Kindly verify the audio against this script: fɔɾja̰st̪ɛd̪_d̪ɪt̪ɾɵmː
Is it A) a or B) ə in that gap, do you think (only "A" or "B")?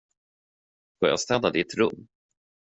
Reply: A